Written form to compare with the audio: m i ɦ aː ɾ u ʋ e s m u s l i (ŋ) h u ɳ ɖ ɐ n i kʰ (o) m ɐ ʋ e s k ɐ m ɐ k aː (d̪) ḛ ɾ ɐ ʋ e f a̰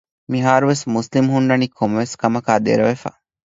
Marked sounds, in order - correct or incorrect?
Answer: incorrect, correct, correct

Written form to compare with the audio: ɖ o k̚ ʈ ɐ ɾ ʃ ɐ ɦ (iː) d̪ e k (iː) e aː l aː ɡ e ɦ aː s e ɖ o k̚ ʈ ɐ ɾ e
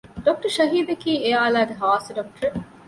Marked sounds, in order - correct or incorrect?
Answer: correct, correct

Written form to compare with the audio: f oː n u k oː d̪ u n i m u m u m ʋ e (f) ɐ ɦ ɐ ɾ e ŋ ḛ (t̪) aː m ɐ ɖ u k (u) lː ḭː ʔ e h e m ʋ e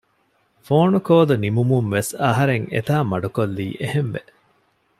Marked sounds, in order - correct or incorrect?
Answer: incorrect, correct, incorrect

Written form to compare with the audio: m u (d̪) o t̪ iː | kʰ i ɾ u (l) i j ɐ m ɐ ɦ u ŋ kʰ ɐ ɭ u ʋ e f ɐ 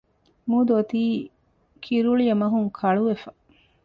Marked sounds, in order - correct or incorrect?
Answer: correct, incorrect

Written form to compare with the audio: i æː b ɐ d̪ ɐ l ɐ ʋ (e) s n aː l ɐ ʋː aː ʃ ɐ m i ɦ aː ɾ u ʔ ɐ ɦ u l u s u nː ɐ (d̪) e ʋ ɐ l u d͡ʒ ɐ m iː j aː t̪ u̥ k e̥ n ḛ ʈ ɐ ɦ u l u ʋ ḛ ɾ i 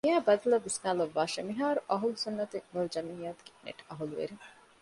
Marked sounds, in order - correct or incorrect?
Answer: incorrect, incorrect

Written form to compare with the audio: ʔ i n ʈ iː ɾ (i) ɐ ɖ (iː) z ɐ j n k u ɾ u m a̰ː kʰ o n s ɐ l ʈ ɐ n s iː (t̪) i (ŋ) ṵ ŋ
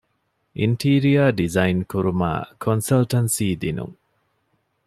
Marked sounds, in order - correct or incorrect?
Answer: correct, incorrect, incorrect, incorrect

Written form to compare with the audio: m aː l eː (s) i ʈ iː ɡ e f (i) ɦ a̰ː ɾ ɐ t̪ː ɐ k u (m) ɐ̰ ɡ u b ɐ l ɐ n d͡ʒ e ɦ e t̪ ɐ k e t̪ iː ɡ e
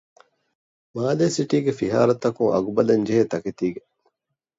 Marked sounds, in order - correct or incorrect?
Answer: correct, correct, incorrect

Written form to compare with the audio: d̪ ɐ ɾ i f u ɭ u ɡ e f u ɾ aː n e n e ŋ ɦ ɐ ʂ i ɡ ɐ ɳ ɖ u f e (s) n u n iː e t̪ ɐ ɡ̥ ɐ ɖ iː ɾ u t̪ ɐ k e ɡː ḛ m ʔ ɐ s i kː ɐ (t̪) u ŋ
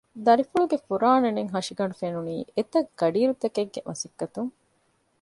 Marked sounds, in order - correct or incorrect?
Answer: incorrect, correct

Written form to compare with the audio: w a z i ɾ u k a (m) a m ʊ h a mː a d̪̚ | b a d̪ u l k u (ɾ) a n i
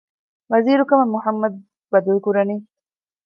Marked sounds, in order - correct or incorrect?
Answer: correct, correct

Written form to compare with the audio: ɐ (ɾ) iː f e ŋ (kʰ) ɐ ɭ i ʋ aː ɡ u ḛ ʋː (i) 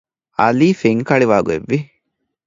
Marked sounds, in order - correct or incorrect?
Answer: incorrect, incorrect, correct

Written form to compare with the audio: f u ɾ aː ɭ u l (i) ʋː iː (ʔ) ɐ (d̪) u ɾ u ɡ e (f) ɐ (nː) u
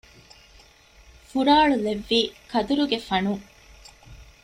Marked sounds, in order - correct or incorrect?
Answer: incorrect, incorrect, correct, correct, incorrect

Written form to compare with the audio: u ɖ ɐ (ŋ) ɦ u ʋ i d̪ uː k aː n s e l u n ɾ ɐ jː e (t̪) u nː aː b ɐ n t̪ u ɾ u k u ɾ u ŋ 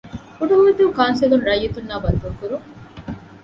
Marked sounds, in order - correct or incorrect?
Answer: incorrect, correct

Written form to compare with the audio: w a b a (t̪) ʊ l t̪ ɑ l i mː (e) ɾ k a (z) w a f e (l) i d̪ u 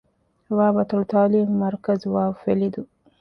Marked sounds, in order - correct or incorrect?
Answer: correct, incorrect, correct, correct

